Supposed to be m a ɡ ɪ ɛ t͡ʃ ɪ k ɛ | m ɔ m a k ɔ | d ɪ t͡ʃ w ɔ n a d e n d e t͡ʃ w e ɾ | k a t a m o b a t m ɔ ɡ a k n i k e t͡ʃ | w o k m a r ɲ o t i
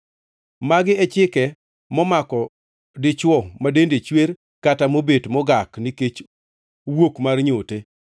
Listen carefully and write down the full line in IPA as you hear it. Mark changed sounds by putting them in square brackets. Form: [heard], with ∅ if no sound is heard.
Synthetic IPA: m a ɡ ɪ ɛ t͡ʃ ɪ k ɛ | m ɔ m a k ɔ | d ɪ t͡ʃ w ɔ [m] a d e n d e t͡ʃ w e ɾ | k a t a m o b [e] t m ɔ ɡ a k n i k e t͡ʃ | w o k m a r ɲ o t [e]